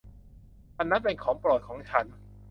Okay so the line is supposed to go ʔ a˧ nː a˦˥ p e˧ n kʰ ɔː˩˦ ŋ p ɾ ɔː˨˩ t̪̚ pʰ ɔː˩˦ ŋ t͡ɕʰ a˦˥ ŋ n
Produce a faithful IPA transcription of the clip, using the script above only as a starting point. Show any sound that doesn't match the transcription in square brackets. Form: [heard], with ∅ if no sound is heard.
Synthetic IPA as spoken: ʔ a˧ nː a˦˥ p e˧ n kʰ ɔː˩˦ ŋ p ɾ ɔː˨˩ t̪̚ [kʰ] ɔː˩˦ ŋ t͡ɕʰ a˦˥ [∅] n